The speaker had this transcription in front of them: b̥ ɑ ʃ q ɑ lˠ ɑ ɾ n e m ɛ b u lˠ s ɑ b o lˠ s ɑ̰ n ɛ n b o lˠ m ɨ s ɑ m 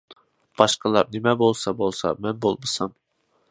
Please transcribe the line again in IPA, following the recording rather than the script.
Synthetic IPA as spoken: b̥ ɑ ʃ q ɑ lˠ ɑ ɾ n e m ɛ b o lˠ s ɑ b o lˠ s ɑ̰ m ɛ n b o lˠ m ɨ s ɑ m